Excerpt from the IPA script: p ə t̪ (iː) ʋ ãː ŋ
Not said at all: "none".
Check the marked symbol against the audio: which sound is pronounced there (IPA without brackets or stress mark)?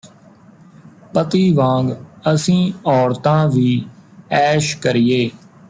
iː